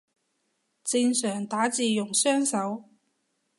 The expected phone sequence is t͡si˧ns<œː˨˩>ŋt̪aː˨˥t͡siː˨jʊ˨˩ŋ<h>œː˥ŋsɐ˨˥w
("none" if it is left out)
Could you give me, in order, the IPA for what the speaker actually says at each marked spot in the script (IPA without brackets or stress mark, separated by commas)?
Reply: œː˨˩, s